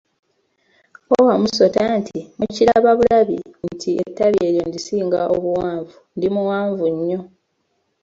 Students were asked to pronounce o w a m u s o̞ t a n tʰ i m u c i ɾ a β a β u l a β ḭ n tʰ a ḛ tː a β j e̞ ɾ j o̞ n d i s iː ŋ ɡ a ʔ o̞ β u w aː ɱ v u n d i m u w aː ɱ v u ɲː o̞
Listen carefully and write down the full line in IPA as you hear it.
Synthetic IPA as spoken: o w a m u s o̞ t a n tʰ i m u c i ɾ a β a β u l a β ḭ n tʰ i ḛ tː a β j e̞ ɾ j o̞ n d i s iː ŋ ɡ a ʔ o̞ β u w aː ɱ v u n d i m u w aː ɱ v u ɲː o̞